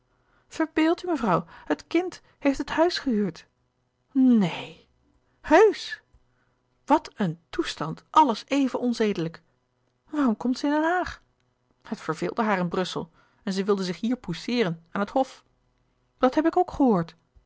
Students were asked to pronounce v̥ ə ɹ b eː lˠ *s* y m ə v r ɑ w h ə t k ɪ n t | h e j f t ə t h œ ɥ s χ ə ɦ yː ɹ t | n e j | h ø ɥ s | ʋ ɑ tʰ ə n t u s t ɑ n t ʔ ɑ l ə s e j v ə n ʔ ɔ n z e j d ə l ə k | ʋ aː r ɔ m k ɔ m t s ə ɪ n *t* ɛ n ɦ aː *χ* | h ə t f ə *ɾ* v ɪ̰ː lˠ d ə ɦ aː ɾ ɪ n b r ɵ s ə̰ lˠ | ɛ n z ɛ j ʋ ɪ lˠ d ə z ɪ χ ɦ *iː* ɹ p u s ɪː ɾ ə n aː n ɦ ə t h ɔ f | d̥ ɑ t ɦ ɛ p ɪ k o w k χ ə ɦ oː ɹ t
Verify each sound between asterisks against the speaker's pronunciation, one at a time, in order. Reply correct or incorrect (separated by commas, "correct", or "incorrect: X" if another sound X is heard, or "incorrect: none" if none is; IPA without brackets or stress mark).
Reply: incorrect: t, incorrect: d, correct, incorrect: ɹ, correct